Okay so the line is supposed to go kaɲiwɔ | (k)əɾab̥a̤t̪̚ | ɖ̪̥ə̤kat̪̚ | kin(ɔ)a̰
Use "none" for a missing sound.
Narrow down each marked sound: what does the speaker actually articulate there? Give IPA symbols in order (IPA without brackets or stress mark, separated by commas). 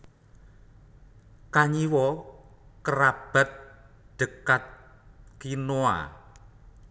k, o